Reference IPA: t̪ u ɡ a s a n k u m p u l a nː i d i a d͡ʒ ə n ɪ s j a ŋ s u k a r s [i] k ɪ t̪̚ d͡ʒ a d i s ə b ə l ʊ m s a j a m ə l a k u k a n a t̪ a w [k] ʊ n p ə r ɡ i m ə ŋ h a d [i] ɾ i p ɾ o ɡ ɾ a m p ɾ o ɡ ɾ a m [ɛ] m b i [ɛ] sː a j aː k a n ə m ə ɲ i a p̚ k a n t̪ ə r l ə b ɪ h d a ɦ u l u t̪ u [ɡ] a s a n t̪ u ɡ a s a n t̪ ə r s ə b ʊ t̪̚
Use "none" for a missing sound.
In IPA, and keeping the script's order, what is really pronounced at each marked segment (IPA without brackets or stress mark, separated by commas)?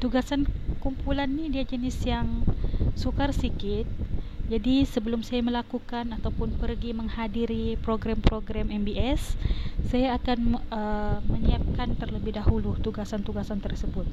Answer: i, p, i, ɛ, ɛ, ɡ